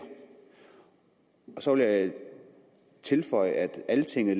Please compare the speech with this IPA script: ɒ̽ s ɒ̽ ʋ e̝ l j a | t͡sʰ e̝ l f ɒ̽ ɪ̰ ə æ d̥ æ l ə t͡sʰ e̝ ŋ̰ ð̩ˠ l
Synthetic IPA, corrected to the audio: ɒ̽ s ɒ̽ ʋ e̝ l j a | t͡sʰ e̝ l f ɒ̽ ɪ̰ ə æ d̥ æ l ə t͡sʰ e̝ ŋ̰ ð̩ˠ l